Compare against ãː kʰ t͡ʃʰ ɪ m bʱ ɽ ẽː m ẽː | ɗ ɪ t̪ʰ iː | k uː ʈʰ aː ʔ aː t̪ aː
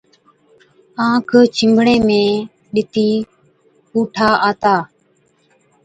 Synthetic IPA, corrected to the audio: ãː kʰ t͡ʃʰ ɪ m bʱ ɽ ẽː m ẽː | ɗ ɪ t̪ iː | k uː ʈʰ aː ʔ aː t̪ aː